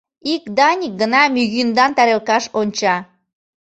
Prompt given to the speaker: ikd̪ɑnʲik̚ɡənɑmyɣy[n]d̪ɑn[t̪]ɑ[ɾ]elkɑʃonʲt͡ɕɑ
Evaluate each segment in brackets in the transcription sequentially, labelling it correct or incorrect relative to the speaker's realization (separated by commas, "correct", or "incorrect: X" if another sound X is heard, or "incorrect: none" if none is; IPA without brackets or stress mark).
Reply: correct, correct, correct